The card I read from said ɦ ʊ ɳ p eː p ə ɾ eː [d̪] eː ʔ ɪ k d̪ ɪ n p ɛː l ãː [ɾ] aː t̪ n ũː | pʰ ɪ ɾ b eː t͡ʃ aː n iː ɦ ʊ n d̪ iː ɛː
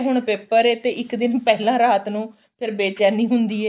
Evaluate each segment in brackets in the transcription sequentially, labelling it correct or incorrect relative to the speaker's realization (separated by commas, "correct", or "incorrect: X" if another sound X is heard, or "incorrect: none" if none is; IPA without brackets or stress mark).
incorrect: t̪, correct